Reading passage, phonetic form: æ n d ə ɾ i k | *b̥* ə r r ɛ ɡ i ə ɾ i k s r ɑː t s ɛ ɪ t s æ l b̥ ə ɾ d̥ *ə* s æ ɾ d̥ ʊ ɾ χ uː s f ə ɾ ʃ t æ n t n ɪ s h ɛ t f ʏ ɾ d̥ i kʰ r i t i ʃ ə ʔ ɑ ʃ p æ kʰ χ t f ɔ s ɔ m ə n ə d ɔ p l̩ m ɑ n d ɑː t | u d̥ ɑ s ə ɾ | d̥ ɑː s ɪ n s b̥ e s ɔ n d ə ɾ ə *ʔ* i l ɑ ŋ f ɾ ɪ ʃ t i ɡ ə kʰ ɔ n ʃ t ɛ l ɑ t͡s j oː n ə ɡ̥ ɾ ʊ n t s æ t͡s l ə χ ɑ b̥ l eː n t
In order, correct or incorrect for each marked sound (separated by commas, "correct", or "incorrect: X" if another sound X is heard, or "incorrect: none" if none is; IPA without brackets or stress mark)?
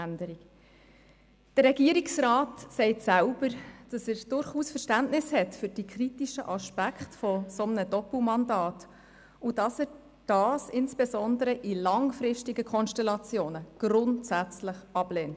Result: incorrect: d̥, incorrect: ɑ, correct